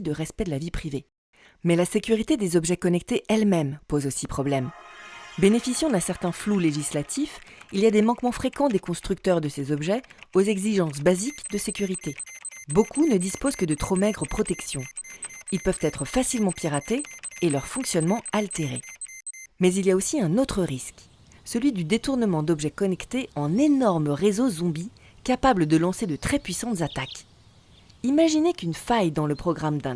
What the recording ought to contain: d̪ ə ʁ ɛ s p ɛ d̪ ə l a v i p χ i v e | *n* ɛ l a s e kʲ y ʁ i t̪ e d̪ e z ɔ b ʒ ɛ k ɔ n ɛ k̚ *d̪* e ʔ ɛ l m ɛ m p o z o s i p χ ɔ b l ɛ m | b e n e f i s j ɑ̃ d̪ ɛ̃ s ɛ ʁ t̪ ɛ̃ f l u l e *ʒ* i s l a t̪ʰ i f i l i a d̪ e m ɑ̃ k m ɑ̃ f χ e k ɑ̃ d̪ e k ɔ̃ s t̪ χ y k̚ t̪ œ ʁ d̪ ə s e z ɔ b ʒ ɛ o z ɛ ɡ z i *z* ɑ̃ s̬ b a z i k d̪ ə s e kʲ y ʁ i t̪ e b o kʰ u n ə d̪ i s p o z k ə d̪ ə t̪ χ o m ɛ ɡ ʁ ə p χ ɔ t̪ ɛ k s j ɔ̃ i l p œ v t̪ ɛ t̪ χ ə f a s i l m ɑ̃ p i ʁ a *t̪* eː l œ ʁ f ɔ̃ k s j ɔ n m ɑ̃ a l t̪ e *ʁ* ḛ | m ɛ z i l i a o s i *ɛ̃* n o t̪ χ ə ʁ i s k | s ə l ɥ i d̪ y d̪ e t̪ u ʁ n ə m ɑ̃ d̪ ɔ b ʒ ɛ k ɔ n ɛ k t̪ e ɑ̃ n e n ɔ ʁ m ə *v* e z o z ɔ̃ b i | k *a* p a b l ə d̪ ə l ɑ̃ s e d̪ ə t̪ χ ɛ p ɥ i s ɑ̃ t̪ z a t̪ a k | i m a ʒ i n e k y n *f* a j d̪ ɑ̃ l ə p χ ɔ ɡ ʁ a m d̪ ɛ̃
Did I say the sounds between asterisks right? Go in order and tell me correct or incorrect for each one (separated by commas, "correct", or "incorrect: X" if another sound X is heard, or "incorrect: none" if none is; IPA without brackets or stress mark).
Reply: incorrect: m, incorrect: t̪, correct, incorrect: ʒ, correct, correct, correct, incorrect: ʁ, correct, correct